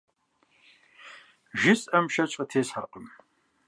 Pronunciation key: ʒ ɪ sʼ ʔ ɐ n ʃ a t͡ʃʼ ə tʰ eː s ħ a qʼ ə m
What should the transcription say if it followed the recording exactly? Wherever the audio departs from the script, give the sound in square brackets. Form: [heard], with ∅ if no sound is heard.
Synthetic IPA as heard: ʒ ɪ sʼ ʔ ɐ [m] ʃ [ɐ] t͡ʃʼ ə tʰ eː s ħ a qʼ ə m